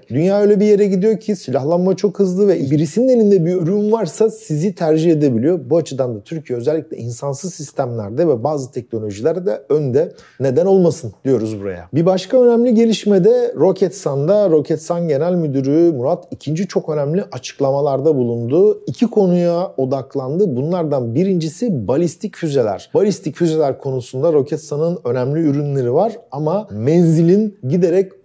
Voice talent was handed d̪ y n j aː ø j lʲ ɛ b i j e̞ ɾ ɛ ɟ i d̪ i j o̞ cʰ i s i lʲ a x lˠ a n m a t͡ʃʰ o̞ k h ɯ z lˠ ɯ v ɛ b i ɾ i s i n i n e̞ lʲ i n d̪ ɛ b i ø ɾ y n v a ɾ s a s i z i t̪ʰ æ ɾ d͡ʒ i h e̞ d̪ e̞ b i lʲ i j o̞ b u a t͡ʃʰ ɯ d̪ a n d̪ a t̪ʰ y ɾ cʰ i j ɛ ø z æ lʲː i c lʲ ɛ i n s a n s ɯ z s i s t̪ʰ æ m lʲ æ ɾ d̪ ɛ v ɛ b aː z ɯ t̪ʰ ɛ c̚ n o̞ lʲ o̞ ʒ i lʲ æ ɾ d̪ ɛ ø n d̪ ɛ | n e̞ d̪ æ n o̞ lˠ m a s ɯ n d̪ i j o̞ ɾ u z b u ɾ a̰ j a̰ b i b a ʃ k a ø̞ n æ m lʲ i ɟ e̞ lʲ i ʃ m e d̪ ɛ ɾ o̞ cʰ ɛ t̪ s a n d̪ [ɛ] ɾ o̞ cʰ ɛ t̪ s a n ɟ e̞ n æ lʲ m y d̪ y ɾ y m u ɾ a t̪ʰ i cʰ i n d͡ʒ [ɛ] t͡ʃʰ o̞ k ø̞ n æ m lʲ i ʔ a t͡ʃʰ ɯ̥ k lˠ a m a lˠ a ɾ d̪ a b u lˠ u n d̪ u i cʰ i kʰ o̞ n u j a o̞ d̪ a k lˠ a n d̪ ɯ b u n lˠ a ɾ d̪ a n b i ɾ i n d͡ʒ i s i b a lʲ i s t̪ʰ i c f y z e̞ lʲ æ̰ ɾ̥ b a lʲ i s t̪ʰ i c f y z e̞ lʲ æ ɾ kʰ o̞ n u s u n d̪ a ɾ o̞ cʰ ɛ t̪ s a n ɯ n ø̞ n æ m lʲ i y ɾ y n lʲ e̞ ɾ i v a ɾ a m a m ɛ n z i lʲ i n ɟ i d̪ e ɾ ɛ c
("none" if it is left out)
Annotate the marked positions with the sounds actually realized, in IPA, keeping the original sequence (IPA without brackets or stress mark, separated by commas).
a, i